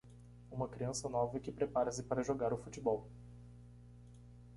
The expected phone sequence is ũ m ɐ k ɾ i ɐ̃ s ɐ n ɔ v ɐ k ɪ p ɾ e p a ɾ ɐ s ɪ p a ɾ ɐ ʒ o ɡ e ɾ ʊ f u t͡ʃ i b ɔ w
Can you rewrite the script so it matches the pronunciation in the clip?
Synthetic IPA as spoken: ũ m ɐ k ɾ i ɐ̃ s ɐ n ɔ v ɐ k ɪ p ɾ e p a ɾ ɐ s ɪ p a ɾ ɐ ʒ o ɡ a ɾ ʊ f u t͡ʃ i b ɔ w